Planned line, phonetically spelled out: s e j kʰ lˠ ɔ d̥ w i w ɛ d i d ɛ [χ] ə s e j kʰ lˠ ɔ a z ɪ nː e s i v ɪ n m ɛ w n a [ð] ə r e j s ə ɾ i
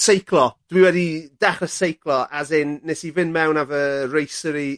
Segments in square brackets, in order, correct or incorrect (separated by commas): correct, incorrect